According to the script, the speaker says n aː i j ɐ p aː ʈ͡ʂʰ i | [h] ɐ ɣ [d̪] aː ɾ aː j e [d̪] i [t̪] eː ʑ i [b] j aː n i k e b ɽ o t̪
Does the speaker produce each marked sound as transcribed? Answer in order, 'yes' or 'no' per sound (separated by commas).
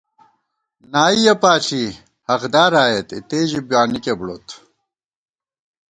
yes, yes, no, yes, yes